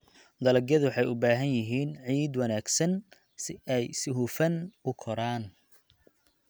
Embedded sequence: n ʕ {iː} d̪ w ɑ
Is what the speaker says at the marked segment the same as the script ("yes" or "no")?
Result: yes